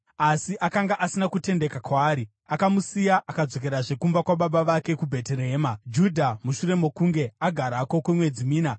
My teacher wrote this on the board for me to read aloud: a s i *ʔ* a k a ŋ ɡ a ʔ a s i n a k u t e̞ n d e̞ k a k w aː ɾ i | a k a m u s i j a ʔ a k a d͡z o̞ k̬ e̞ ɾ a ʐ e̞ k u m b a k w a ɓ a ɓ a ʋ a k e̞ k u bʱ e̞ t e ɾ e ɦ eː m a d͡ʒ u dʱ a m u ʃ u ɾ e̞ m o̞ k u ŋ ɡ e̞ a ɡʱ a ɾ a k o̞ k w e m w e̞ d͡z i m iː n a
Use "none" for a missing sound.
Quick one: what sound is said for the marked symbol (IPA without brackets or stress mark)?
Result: ʔ